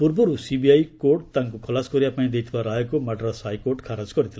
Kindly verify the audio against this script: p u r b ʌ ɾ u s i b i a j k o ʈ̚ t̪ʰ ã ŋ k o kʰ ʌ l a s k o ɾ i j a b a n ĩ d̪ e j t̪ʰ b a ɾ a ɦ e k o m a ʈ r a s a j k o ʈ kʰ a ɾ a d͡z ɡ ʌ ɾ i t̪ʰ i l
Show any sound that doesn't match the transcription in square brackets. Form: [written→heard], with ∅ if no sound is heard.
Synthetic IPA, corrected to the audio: p u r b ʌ ɾ u s i b i a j k o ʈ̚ [t̪ʰ→t̪] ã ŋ k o kʰ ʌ l a s k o ɾ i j a [b→p] a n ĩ d̪ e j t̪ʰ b a ɾ a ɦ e k o m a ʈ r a s a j k o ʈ kʰ a ɾ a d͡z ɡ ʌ ɾ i t̪ʰ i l